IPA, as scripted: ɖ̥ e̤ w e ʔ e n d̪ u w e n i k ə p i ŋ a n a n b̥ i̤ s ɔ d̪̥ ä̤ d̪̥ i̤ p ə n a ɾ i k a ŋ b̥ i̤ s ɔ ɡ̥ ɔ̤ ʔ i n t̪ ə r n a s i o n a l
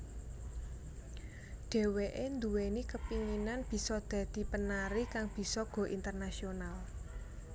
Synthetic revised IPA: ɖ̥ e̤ w e ʔ e n d̪ u w e n i k ə p i ŋ i n a n b̥ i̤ s ɔ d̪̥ ä̤ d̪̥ i̤ p ə n a ɾ i k a ŋ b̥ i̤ s ɔ ɡ̥ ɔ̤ ʔ i n t̪ ə r n a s i o n a l